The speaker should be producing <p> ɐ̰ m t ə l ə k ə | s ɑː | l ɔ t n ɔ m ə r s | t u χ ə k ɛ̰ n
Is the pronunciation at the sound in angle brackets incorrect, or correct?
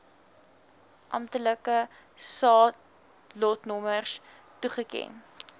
incorrect